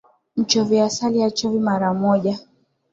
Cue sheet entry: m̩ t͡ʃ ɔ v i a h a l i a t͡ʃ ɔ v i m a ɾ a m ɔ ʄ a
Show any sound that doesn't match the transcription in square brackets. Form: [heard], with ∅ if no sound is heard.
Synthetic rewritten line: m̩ t͡ʃ ɔ v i a [s] a l i a t͡ʃ ɔ v i m a ɾ a m ɔ ʄ a